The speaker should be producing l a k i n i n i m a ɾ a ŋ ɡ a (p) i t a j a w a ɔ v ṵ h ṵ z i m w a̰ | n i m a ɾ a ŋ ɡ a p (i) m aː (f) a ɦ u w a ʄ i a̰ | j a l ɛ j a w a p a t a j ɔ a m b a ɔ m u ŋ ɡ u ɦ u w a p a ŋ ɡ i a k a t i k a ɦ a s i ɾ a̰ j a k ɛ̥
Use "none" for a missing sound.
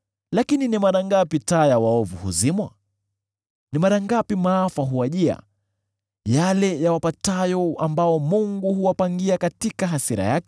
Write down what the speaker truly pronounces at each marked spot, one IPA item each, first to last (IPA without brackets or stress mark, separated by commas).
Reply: p, i, f